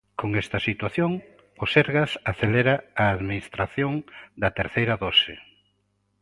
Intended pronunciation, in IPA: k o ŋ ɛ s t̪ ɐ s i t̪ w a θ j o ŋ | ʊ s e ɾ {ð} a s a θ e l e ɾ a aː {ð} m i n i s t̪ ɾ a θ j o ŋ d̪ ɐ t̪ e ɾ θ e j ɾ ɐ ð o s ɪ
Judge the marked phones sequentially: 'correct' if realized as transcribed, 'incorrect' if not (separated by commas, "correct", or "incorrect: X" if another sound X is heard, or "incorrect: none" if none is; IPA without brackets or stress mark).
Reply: incorrect: ɣ, correct